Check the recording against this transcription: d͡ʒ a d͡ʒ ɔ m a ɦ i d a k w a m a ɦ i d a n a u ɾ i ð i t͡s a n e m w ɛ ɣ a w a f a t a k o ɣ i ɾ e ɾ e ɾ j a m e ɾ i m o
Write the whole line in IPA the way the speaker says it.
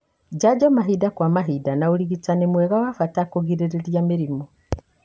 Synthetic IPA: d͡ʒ a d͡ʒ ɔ m a ɦ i d a k w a m a ɦ i d a n a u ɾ i ɣ i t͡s a n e m w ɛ ɣ a w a f a t a k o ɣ i ɾ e ɾ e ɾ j a m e ɾ i m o

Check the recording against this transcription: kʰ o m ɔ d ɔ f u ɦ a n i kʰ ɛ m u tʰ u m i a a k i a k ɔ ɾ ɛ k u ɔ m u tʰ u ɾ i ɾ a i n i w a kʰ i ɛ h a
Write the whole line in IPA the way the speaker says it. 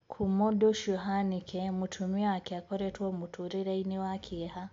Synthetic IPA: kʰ u m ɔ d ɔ ʃ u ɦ a n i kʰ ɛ m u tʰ u m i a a k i a k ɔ ɾ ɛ t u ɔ m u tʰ u ɾ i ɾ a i n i w a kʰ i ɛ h a

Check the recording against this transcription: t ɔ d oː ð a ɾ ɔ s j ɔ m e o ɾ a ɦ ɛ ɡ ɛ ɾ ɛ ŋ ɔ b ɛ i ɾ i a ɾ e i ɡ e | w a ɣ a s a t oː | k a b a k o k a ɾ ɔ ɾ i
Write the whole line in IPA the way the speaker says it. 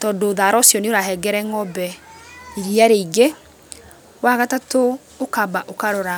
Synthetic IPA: t ɔ d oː ð a ɾ ɔ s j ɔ n e o ɾ a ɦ ɛ ɡ ɛ ɾ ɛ ŋ ɔ b ɛ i ɾ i a ɾ e i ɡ e | w a ɣ a t a t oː | k a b a ʔ o k a ɾ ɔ ɾ a

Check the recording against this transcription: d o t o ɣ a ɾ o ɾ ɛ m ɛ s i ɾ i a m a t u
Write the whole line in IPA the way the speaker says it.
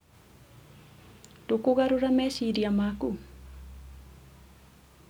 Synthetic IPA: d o k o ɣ a ɾ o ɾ a m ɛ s i ɾ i a m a k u

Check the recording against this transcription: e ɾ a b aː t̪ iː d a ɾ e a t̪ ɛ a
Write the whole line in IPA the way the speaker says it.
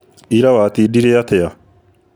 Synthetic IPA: i ɾ a w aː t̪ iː d i ɾ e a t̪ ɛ a

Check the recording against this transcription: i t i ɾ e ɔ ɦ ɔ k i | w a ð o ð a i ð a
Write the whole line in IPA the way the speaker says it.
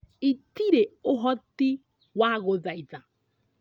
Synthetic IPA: i t i ɾ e o ɦ ɔ t i | w a ɣ o ð a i ð a

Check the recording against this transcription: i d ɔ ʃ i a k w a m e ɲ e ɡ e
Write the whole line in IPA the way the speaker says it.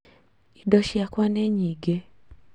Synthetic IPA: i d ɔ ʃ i a k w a n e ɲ i ɡ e

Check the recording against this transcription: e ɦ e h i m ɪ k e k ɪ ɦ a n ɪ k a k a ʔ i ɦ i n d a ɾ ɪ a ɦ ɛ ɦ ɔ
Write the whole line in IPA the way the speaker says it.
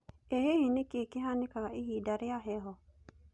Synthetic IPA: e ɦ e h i n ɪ k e k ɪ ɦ a n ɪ k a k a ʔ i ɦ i d a ɾ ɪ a ɦ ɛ ɦ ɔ

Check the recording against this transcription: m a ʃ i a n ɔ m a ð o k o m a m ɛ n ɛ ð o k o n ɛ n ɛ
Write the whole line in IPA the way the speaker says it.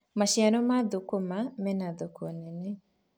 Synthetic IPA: m a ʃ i a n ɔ m a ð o k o m a m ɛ n a ð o k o n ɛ n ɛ

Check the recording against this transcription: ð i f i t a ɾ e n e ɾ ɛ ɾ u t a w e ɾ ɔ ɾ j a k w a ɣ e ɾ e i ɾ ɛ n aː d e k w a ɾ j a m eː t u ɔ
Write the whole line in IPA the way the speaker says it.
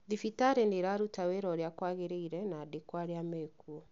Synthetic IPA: ð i f i t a ɾ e n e ɾ a ɾ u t a w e ɾ ɔ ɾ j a k w a ɣ e ɾ e i ɾ ɛ n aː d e k w a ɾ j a m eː k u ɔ

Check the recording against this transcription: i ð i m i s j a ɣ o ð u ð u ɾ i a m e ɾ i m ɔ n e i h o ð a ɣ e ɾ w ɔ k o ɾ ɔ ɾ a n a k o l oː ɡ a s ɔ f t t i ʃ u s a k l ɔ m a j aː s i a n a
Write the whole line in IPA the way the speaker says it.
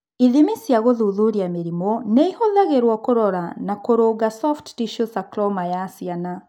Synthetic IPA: i ð i m i s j a ɣ o ð u ð u ɾ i a m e ɾ i m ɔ n e i h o ð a ɣ e ɾ w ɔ k o ɾ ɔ ɾ a n a k o ɾ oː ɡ a s ɔ f t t i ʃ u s a k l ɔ m a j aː s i a n a

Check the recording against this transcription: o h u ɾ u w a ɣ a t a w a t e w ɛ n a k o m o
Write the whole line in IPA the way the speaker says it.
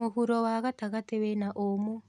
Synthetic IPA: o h u ɾ ɔ w a ɣ a t a ɣ a t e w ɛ n a ʔ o m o

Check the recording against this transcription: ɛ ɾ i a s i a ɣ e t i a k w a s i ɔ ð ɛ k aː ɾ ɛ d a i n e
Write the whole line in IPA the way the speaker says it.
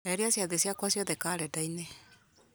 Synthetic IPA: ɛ ɾ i a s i a ð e s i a k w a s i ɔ ð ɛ k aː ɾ ɛ d a i n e

